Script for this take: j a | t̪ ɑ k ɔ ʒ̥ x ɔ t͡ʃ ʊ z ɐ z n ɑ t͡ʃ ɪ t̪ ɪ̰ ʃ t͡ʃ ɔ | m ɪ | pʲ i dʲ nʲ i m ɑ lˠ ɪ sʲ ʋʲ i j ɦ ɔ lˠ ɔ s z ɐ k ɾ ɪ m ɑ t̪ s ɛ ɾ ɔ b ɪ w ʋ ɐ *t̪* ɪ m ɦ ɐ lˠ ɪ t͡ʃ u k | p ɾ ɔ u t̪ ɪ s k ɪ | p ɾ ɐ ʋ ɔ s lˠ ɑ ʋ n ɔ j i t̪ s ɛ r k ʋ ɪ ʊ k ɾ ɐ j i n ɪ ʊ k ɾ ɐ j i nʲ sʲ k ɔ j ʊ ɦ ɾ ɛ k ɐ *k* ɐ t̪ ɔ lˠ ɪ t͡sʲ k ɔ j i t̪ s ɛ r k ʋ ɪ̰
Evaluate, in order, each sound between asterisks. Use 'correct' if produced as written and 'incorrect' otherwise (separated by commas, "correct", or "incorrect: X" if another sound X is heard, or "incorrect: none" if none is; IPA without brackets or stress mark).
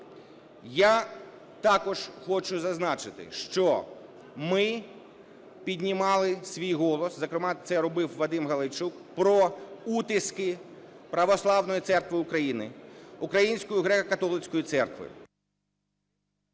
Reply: incorrect: d̪, correct